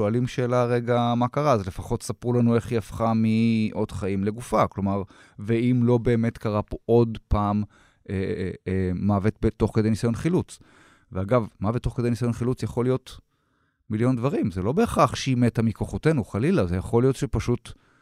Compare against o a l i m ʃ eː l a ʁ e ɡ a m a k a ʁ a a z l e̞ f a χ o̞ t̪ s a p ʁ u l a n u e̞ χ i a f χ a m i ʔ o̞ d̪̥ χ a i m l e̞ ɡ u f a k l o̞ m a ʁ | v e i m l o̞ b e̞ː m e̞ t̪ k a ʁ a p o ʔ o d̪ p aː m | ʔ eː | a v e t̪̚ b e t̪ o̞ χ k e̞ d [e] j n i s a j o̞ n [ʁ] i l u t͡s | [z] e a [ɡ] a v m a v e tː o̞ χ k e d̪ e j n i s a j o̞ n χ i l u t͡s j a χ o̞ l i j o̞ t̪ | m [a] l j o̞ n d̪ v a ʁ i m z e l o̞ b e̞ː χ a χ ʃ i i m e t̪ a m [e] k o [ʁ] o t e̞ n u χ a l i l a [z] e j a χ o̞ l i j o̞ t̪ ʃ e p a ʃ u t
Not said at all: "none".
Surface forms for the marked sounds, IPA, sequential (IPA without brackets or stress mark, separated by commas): e, χ, v, ɡ, i, i, χ, z